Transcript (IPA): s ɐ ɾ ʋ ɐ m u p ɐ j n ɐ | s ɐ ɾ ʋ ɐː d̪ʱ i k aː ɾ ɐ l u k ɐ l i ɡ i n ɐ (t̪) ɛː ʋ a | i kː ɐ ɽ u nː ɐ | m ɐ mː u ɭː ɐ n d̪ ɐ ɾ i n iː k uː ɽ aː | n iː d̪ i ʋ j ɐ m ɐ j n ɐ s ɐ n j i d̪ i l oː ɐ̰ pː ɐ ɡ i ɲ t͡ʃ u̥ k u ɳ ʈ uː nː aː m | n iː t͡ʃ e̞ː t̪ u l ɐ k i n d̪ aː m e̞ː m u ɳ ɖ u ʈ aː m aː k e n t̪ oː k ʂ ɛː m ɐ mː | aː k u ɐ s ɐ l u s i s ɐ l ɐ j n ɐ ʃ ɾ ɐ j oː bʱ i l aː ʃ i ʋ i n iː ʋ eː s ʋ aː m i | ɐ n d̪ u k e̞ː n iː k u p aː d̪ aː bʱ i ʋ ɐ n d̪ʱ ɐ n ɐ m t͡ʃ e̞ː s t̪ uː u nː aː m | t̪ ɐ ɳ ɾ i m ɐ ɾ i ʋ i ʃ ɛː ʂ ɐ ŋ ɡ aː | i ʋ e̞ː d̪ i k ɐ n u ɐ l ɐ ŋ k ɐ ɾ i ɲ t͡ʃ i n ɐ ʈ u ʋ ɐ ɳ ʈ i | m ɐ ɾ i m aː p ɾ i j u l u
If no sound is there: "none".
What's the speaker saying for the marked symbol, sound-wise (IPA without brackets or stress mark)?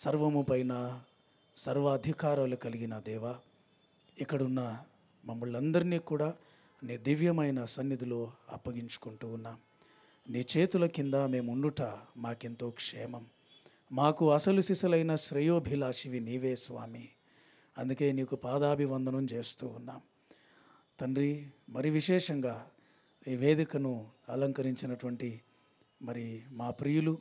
d̪